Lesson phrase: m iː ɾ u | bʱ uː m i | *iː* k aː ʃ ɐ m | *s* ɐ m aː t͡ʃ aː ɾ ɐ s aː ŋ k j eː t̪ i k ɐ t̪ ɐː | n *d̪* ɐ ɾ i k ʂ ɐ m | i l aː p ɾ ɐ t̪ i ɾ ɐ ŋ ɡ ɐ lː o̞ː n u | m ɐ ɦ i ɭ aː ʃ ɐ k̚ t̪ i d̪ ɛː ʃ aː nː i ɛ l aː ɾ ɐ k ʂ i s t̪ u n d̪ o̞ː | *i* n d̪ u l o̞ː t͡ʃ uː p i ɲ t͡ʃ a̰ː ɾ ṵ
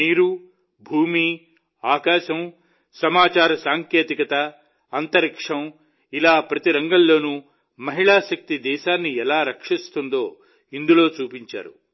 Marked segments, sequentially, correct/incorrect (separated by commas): incorrect, correct, incorrect, correct